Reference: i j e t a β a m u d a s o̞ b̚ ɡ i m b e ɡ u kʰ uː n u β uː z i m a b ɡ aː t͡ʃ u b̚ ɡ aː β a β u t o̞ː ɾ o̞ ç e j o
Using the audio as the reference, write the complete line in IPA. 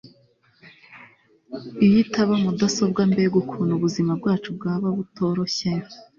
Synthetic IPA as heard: i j i t a β a m u d a s o̞ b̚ ɡ a m b e ɡ u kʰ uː n u β u z i m a b ɡ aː t͡ʃ u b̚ ɡ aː β a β u t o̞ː ɾ o̞ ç e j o